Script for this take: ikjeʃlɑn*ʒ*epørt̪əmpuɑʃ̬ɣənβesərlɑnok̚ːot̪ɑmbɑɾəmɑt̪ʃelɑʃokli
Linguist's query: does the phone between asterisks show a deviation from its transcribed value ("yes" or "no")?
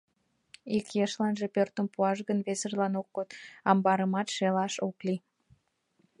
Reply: no